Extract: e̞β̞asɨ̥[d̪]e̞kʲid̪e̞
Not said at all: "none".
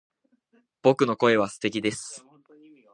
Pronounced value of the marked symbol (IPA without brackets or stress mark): t̪